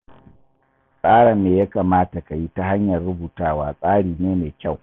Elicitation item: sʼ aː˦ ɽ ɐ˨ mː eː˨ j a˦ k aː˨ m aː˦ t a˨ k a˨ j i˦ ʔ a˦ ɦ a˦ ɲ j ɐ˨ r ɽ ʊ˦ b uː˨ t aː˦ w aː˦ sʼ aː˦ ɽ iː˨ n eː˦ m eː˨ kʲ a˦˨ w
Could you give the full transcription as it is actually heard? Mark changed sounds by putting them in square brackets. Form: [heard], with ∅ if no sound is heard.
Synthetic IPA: sʼ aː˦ ɽ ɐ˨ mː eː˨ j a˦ k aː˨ m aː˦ t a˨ k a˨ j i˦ [t] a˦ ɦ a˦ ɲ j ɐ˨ r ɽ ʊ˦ b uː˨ t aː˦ w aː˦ sʼ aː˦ ɽ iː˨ n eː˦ m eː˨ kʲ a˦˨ w